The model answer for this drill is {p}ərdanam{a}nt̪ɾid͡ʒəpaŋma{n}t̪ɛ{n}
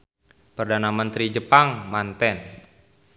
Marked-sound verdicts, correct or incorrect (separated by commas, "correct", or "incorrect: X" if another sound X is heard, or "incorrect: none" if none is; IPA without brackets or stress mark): correct, incorrect: ə, correct, correct